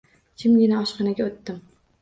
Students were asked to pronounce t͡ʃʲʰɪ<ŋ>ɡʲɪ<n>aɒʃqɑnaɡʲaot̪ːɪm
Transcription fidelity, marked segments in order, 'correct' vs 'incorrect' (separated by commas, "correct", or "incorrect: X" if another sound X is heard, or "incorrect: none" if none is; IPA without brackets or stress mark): incorrect: m, correct